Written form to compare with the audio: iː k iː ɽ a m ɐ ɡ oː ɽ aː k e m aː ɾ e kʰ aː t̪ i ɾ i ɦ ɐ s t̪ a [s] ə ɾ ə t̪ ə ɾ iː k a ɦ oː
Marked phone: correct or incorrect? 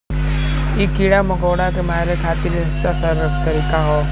correct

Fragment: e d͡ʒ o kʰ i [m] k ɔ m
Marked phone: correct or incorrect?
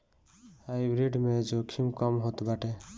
correct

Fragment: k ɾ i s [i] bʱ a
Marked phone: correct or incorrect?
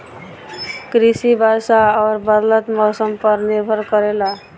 correct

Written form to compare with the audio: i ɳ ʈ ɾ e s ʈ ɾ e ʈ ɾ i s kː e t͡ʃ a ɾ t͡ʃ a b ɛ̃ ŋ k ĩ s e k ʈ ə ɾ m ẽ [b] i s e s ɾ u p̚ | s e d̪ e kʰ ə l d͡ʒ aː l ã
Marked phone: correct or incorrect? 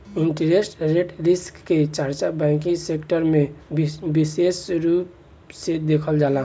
correct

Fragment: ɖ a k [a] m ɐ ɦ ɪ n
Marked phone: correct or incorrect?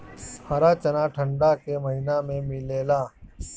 incorrect: e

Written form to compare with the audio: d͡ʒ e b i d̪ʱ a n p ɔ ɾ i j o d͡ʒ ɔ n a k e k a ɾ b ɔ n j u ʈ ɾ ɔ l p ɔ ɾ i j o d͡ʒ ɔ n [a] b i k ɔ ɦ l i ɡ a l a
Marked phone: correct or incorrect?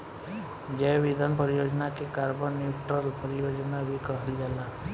correct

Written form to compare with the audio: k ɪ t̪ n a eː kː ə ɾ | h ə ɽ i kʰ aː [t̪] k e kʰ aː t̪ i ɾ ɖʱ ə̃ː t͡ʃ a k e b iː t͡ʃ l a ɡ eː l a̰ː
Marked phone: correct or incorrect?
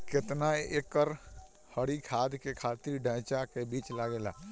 incorrect: d̪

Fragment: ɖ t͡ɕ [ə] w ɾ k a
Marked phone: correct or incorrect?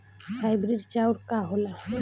incorrect: a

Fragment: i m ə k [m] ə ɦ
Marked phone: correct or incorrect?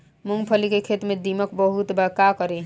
incorrect: b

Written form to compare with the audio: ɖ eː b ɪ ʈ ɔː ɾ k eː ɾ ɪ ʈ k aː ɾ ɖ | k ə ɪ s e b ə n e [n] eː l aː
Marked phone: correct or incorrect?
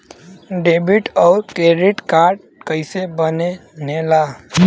correct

